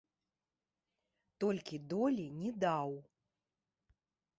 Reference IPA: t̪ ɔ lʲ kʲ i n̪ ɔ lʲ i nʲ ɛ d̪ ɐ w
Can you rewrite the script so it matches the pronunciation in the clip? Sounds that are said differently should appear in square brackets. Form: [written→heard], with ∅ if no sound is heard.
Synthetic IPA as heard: t̪ ɔ lʲ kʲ i [n̪→d̪] ɔ lʲ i nʲ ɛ d̪ [ɐ→a] w